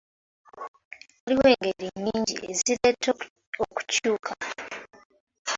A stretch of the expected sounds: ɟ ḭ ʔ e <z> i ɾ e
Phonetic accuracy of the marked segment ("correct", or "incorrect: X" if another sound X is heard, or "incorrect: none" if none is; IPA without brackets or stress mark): correct